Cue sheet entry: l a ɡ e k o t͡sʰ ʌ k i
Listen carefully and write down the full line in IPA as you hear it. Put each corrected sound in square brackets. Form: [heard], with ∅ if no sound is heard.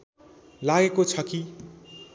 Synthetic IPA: l a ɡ e k o t͡sʰ ʌ k i